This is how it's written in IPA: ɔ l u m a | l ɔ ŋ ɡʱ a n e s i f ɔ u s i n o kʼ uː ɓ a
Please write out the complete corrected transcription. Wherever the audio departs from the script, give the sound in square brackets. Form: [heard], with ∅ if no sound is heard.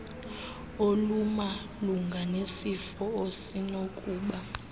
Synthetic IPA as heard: [o] l u m a | l [u] ŋ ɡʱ a n e s i f ɔ [o] s i n o kʼ uː ɓ a

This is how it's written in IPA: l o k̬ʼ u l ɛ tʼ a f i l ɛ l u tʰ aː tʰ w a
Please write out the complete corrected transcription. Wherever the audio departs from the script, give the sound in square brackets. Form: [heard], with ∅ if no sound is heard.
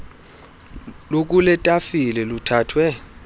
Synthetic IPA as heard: l o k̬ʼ u l ɛ tʼ a f i l ɛ l u tʰ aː tʰ w [ɛ]

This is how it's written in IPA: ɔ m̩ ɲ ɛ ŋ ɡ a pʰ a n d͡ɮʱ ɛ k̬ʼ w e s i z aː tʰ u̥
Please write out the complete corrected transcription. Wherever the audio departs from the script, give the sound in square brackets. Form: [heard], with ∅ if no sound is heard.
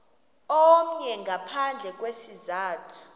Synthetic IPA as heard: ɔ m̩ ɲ ɛ ŋ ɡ a pʰ a n d͡ɮʱ ɛ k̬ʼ w e s i z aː tʰ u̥

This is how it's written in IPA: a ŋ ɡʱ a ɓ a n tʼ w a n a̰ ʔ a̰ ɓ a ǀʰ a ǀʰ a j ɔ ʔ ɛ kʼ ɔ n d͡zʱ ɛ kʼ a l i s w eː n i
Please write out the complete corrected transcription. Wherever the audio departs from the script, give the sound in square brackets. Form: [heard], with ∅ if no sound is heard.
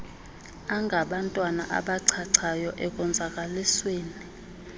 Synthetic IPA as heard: a ŋ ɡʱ a ɓ a n tʼ w a n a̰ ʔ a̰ ɓ a ǀʰ a ǀʰ a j ɔ ʔ ɛ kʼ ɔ n d͡zʱ [a] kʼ a l i s w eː n i

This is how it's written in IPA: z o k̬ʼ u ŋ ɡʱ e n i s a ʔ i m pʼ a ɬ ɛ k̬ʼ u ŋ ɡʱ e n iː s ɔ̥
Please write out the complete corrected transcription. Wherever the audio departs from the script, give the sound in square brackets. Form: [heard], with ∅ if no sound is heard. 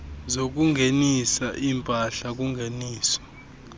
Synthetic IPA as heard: z o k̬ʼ u ŋ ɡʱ e n i s a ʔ i m pʼ a ɬ [a] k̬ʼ u ŋ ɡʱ e n iː s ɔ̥

